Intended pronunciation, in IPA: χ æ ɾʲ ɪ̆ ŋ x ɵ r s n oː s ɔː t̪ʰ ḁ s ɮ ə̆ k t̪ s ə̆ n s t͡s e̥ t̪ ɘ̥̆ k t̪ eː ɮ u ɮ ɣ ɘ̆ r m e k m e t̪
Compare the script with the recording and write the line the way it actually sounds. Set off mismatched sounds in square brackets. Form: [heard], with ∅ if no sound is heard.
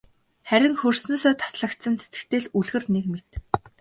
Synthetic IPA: χ æ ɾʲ ɪ̆ ŋ x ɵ r s n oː s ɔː t̪ʰ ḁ s ɮ ə̆ k t̪ s ə̆ n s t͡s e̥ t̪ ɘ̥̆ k t̪ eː ɮ u ɮ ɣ ɘ̆ r [n] e k m e t̪